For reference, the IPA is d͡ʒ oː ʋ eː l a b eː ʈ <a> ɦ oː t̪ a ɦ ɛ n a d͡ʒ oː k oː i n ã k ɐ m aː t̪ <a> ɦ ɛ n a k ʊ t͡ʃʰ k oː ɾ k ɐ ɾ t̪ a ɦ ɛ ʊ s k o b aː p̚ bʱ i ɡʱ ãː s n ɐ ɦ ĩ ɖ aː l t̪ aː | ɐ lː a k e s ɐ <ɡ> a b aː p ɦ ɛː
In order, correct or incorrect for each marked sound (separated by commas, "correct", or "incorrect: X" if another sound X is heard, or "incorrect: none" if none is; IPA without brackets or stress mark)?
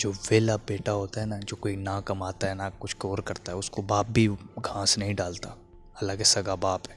correct, correct, correct